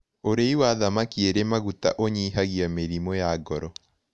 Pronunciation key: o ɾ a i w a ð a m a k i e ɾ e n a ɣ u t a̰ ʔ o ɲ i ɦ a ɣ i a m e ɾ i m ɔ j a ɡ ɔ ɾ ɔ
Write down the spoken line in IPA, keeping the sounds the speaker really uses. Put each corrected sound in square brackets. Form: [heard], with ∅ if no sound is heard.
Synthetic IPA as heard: o ɾ [e] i w a ð a m a k i e ɾ e [m] a ɣ u t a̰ ʔ o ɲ i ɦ a ɣ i a m e ɾ i m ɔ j a ɡ ɔ ɾ ɔ